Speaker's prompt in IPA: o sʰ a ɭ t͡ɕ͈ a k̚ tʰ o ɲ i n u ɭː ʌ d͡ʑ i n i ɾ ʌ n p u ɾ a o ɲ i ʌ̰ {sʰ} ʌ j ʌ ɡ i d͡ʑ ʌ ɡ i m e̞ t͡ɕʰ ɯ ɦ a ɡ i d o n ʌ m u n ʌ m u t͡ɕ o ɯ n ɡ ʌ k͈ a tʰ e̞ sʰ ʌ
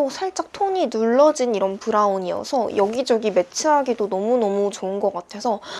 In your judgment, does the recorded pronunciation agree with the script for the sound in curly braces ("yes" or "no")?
yes